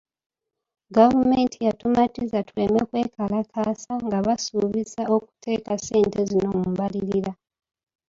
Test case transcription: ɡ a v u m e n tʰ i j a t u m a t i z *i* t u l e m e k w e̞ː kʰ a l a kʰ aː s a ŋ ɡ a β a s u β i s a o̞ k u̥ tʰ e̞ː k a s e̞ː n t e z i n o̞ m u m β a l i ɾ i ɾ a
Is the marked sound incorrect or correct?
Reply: incorrect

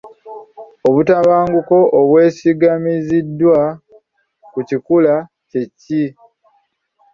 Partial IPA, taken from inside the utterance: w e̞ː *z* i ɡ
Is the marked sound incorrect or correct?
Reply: incorrect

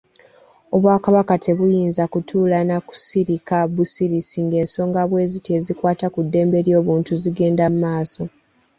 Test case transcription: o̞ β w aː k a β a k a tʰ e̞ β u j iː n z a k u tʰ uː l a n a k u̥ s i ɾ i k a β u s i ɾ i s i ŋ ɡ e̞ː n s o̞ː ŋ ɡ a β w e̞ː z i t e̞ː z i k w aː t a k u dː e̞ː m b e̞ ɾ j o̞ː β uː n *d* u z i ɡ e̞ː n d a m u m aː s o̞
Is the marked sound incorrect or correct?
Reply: incorrect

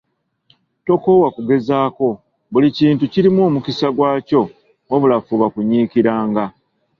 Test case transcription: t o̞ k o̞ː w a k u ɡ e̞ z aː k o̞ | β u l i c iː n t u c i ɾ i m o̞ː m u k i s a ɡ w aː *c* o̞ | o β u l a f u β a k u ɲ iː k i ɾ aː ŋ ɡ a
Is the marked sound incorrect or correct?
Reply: correct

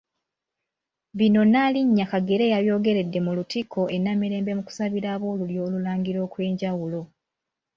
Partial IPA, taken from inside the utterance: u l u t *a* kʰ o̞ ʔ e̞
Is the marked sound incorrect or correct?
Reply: incorrect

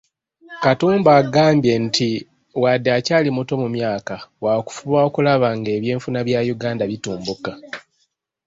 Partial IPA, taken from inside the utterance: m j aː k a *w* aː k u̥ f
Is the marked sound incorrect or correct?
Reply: correct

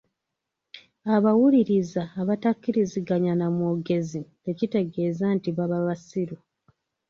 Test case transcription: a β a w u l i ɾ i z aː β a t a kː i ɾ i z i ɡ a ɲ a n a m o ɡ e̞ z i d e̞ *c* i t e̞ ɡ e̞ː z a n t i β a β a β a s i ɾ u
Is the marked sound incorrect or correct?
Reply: correct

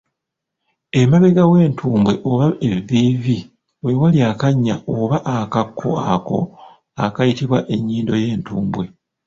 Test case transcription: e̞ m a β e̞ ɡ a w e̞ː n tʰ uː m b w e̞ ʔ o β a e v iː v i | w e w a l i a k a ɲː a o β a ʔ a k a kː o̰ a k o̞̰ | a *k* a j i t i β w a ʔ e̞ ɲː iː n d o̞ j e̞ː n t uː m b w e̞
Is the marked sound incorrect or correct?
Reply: correct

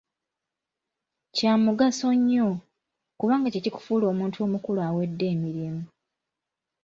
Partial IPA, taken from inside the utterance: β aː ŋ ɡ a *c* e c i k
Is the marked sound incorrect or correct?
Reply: correct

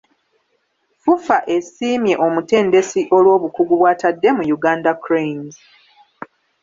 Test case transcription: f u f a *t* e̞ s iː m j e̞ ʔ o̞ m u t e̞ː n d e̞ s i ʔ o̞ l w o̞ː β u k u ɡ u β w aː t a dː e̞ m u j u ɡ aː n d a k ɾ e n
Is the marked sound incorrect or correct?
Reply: incorrect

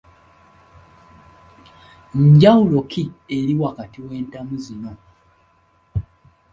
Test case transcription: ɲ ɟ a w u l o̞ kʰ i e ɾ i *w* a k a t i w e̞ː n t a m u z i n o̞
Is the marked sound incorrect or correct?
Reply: correct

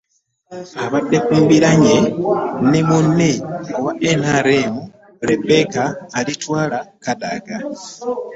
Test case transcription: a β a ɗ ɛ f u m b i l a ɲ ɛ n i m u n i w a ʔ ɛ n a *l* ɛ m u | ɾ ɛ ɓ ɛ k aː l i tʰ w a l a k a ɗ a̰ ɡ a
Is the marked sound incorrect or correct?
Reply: incorrect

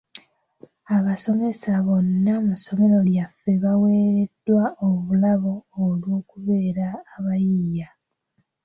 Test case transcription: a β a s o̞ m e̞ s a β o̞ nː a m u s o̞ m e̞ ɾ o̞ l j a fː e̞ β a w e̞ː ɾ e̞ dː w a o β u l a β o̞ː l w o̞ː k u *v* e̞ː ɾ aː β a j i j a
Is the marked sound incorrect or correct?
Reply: incorrect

